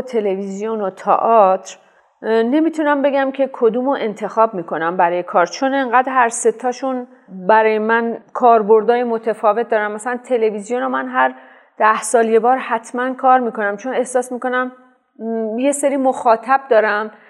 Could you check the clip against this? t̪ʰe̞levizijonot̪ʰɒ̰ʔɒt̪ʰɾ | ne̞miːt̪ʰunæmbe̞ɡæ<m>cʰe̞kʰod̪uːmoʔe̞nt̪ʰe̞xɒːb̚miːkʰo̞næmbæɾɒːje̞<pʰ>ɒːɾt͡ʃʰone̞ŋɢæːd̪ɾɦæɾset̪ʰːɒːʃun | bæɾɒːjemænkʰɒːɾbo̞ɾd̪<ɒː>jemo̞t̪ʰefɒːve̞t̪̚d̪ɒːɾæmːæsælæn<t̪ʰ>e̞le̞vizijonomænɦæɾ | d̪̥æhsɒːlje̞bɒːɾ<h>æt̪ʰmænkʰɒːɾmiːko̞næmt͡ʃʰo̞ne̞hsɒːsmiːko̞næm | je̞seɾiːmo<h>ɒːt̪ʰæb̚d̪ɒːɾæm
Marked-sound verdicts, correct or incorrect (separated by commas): correct, incorrect, correct, correct, correct, incorrect